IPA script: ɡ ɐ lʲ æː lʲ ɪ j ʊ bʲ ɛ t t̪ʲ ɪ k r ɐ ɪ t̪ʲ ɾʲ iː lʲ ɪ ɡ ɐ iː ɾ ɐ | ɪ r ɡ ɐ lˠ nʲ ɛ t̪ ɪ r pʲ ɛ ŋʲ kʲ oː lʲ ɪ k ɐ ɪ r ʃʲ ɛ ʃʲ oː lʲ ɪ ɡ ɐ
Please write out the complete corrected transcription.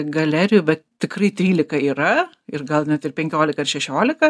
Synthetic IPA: ɡ ɐ lʲ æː ɾʲ ɪ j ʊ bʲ ɛ t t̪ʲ ɪ k r ɐ ɪ t̪ʲ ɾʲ iː lʲ ɪ k ɐ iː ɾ ɐ | ɪ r ɡ ɐ lˠ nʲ ɛ t̪ ɪ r pʲ ɛ ŋʲ kʲ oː lʲ ɪ k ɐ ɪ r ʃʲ ɛ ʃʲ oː lʲ ɪ k ɐ